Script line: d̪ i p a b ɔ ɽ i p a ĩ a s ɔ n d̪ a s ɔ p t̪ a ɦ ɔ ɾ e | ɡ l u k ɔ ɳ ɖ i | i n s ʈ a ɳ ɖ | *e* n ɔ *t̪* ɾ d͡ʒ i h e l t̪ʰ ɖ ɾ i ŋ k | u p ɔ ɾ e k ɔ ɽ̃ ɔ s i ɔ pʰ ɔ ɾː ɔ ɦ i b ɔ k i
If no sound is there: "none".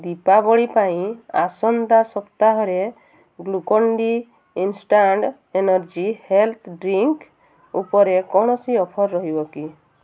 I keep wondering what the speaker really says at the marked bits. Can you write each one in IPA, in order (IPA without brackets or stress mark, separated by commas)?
e, none